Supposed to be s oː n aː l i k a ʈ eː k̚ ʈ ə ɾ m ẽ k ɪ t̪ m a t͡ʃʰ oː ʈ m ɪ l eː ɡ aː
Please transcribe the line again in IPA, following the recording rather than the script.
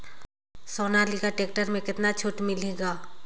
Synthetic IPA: s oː n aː l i k a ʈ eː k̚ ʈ ə ɾ m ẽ k ɪ t̪ n a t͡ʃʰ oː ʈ m ɪ l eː ɡ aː